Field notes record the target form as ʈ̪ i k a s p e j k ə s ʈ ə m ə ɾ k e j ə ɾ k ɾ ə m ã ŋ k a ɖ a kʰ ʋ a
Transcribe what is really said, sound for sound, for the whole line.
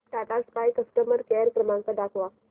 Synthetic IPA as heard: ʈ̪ a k a s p a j k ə s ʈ ə m ə ɾ k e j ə ɾ k ɾ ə m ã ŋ k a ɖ a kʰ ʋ a

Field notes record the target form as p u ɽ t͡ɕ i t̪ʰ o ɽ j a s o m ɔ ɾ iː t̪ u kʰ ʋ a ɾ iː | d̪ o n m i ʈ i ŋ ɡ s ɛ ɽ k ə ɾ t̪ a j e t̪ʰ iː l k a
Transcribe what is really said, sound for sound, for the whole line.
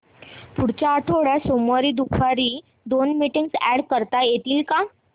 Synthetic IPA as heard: p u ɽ t͡ɕ a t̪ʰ o ɽ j a s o m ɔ ɾ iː d̪ u kʰ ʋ a ɾ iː | d̪ o n m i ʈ i ŋ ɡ s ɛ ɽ k ə ɾ t̪ a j e t̪ iː l k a

